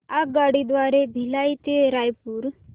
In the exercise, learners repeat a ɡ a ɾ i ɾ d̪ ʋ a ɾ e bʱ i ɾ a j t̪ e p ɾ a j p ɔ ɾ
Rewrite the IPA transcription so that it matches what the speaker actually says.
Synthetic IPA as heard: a ɡ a ɽ i d̪ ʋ a ɾ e bʱ i l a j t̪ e ɾ a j p u ɾ